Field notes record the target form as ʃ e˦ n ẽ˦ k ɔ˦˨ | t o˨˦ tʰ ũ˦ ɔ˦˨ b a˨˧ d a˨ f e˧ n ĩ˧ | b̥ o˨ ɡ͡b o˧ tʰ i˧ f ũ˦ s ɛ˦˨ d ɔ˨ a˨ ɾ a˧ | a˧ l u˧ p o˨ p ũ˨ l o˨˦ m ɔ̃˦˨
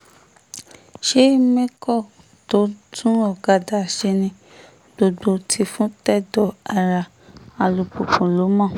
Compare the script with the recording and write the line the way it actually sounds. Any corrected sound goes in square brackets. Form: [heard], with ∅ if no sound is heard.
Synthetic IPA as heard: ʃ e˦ [m] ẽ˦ k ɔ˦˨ | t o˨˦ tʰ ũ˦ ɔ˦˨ [ɡ] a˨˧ d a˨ [ʃ] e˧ n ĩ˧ | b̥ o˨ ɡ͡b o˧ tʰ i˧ f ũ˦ [t] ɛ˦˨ d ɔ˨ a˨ ɾ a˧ | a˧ l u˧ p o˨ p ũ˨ l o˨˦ m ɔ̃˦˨